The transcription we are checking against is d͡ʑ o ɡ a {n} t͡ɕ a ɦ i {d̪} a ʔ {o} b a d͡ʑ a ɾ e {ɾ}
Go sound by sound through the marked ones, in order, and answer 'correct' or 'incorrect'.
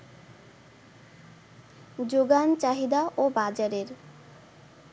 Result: correct, correct, correct, correct

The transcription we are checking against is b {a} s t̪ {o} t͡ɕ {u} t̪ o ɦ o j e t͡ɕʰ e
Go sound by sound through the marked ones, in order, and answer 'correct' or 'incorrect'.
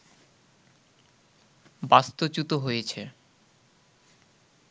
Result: correct, correct, correct

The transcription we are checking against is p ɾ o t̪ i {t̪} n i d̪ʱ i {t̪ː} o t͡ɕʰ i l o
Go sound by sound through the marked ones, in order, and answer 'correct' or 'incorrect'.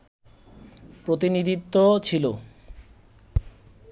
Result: incorrect, correct

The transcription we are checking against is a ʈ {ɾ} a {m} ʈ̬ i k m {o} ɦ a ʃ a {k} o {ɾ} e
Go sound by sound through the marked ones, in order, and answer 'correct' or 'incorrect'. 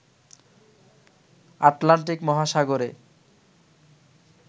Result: incorrect, incorrect, incorrect, incorrect, correct

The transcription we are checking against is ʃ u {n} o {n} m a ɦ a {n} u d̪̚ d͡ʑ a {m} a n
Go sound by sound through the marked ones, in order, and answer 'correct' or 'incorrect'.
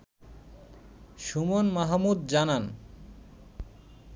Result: incorrect, correct, incorrect, incorrect

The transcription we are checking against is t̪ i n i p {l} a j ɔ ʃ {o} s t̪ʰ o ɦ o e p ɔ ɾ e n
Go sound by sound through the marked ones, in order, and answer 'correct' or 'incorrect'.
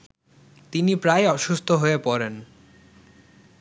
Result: incorrect, incorrect

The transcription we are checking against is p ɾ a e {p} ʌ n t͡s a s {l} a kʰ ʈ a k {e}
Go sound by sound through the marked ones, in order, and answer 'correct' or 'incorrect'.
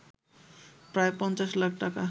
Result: correct, correct, incorrect

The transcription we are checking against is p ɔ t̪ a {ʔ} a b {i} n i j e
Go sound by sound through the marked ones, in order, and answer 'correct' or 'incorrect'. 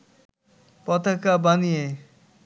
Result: incorrect, incorrect

